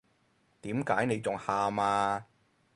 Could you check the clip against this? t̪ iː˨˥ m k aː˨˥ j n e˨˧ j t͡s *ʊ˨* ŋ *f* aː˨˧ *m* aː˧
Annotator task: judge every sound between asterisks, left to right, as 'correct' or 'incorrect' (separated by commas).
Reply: correct, incorrect, correct